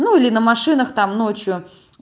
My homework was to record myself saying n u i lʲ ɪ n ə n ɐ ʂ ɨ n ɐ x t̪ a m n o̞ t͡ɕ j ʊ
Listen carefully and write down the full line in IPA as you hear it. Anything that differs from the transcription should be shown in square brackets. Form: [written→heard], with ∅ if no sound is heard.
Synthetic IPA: n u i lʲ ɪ n ə [n→m] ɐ ʂ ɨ n [ɐ→ə] x t̪ a m n o̞ t͡ɕ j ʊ